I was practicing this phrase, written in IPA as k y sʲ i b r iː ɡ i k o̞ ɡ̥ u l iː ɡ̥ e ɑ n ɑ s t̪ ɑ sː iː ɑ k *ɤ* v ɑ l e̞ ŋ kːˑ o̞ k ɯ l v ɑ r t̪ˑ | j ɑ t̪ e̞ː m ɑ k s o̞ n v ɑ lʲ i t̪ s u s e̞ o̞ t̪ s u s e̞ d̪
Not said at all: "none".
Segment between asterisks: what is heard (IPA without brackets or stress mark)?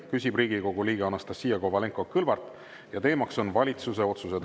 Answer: o